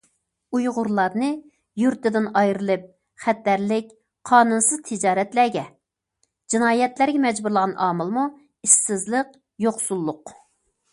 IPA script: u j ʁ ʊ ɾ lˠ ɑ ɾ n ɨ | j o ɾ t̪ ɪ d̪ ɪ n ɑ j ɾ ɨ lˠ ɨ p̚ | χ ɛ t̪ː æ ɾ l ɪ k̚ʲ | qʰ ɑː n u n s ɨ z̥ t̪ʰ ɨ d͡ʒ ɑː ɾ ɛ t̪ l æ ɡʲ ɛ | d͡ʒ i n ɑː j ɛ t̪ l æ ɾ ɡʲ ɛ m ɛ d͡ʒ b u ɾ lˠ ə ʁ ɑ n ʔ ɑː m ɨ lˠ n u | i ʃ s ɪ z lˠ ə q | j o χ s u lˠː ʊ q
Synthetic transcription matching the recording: u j ʁ ʊ ɾ lˠ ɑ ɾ n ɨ | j u ɾ t̪ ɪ d̪ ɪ n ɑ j ɾ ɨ lˠ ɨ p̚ | χ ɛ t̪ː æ ɾ l ɪ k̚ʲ | qʰ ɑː n u n s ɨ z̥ t̪ʰ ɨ d͡ʒ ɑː ɾ ɛ t̪ l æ ɡʲ ɛ | d͡ʒ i n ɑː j ɛ t̪ l æ ɾ ɡʲ ɛ m ɛ d͡ʒ b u ɾ lˠ ə ʁ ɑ n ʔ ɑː m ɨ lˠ m u | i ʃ s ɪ z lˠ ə q | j o χ s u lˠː ʊ q